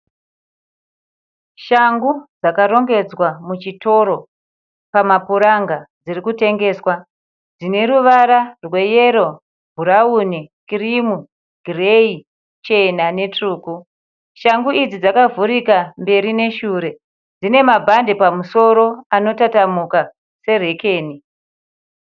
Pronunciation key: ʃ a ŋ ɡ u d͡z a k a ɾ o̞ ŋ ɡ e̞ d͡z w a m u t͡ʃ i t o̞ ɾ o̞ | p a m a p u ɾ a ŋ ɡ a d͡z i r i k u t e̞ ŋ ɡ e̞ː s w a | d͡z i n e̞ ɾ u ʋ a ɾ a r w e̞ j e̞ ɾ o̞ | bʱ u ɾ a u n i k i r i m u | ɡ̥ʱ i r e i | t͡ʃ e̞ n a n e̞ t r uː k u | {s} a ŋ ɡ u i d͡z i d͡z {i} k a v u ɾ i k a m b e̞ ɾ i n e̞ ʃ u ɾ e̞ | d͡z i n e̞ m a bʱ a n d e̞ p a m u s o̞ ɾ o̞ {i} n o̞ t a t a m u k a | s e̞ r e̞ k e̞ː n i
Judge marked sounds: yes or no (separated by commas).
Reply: no, no, no